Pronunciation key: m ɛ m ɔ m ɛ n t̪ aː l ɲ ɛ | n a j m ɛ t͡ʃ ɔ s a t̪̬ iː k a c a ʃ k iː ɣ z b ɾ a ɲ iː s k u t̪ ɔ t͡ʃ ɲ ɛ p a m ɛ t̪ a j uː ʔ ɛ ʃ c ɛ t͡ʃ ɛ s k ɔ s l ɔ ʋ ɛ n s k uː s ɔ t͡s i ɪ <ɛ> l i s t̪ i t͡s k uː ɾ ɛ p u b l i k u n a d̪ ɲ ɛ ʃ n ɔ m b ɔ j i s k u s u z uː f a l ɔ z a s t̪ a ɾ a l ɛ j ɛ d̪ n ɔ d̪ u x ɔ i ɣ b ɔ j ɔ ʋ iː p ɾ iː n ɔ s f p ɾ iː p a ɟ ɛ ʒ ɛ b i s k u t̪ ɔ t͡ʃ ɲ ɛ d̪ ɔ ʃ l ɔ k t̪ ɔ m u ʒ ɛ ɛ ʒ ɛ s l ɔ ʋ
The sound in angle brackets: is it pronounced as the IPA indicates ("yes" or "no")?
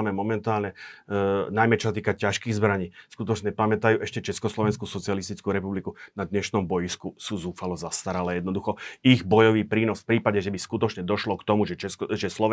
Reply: no